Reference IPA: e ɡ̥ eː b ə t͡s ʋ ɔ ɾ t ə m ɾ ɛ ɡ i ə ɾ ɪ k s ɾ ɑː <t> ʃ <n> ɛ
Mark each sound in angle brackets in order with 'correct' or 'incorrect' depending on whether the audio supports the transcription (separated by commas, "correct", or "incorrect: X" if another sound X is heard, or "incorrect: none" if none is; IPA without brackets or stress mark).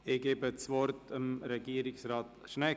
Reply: correct, correct